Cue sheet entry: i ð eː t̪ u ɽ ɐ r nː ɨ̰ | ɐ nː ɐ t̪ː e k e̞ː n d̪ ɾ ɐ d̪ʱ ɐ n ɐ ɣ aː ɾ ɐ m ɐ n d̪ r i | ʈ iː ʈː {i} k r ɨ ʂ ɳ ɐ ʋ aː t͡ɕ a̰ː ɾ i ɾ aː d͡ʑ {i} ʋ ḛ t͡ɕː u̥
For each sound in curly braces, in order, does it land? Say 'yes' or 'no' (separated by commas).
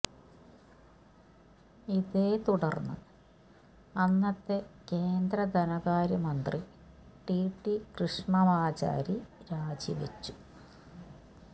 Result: yes, yes